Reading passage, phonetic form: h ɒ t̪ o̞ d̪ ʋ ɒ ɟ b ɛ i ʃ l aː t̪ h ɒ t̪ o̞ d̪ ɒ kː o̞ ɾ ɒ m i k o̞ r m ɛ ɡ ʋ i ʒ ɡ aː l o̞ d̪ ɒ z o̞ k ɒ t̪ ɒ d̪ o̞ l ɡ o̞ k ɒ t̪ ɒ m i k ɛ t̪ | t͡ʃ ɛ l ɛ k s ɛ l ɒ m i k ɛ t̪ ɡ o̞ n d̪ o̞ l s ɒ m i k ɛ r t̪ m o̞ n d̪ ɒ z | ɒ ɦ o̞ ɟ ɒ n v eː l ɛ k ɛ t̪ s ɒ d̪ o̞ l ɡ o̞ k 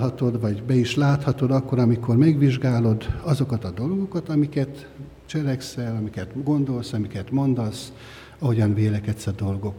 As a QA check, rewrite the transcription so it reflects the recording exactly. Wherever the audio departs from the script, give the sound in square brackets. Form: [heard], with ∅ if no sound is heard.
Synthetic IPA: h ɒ t̪ o̞ d̪ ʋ ɒ ɟ b ɛ i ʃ l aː t̪ h ɒ t̪ o̞ d̪ ɒ kː o̞ ɾ ɒ m i k o̞ r m ɛ ɡ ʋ i ʒ ɡ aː l o̞ d̪ ɒ z o̞ k ɒ t̪ ɒ d̪ o̞ l ɡ o̞ k ɒ t̪ ɒ m i k ɛ t̪ | t͡ʃ ɛ l ɛ k s ɛ l ɒ m i k ɛ t̪ ɡ o̞ n d̪ o̞ l s ɒ m i k ɛ [∅] t̪ m o̞ n d̪ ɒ [s] | ɒ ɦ o̞ ɟ ɒ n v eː l ɛ k ɛ t̪ s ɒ d̪ o̞ l ɡ o̞ k